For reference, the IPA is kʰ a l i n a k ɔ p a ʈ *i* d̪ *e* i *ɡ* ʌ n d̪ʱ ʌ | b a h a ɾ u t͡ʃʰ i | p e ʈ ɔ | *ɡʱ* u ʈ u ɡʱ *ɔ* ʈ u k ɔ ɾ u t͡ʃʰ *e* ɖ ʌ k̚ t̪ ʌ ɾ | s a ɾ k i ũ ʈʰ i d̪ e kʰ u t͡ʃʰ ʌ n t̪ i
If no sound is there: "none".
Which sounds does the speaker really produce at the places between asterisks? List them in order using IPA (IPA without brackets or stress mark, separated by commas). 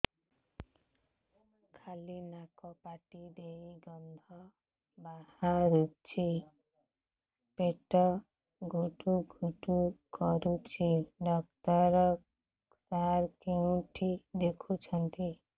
i, e, ɡ, ɡʱ, u, i